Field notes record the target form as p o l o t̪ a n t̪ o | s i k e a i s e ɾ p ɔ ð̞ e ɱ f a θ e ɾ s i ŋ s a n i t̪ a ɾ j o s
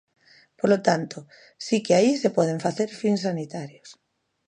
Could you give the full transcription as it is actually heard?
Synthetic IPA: p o l o t̪ a n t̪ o | s i k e a i s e p ɔ ð̞ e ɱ f a θ e ɾ f i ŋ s a n i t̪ a ɾ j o s